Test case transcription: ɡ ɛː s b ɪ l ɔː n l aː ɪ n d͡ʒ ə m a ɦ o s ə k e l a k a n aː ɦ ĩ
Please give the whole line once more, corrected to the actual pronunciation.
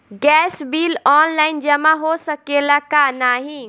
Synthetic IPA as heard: ɡ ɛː s b i l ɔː n l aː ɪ n d͡ʒ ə m a ɦ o s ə k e l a k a n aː ɦ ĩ